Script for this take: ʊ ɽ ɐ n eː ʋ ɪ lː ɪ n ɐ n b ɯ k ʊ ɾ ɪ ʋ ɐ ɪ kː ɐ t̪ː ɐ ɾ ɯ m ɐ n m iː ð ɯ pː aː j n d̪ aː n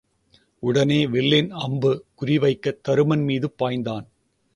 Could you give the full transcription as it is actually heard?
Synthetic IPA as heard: ʊ ɽ ɐ n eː ʋ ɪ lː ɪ n ɐ m b ɯ k ʊ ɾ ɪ ʋ ɐ ɪ kː ɐ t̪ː ɐ ɾ ɯ m ɐ n m iː ð ɯ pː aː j n d̪ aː n